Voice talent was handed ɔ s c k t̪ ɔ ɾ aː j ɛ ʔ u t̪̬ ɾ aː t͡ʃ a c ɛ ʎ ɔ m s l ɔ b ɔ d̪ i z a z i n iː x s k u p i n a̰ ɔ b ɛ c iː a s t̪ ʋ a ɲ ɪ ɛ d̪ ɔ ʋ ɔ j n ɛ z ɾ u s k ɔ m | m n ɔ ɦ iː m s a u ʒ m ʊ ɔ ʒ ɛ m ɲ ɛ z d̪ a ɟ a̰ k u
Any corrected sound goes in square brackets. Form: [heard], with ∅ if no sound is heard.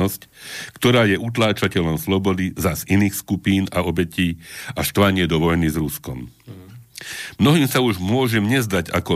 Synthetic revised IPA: ɔ s c k t̪ ɔ ɾ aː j ɛ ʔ u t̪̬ [l] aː t͡ʃ a c ɛ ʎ ɔ m s l ɔ b ɔ d̪ i z a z i n iː x s k u p [iː] n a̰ ɔ b ɛ c iː a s t̪ ʋ a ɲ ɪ ɛ d̪ ɔ ʋ ɔ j n [i] z ɾ u s k ɔ m | m n ɔ ɦ iː m s a u ʒ m ʊ ɔ ʒ ɛ m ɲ ɛ z d̪ a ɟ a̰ k [ɔ]